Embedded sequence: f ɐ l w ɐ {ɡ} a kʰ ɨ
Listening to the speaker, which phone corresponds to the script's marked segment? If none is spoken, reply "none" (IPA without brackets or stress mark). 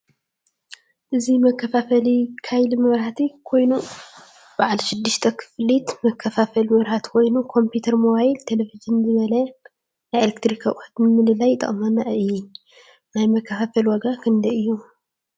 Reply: ɡ